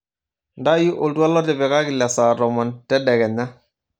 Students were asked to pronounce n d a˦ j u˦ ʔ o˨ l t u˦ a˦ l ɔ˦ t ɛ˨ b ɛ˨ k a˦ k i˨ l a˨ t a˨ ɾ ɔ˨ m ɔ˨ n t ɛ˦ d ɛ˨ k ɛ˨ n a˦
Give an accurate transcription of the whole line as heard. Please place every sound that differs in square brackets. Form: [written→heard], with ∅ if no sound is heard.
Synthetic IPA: n d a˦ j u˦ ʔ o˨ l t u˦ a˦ l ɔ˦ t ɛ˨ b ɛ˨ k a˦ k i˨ l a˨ [t→s] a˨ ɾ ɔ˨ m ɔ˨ n t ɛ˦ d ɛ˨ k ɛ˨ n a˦